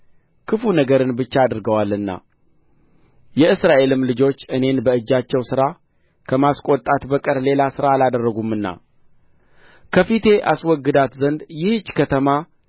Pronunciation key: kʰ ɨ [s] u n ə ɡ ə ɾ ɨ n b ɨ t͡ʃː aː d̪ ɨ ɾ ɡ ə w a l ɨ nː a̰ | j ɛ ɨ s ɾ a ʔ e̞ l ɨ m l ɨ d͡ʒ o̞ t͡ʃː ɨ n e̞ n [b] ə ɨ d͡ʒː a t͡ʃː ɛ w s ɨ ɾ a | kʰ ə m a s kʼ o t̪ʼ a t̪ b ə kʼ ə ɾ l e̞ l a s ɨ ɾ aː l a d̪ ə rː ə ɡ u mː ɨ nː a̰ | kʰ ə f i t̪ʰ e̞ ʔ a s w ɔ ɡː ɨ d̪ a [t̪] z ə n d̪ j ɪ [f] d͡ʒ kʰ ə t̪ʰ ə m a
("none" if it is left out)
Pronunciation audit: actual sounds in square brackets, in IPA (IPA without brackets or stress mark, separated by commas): f, b, t̪, h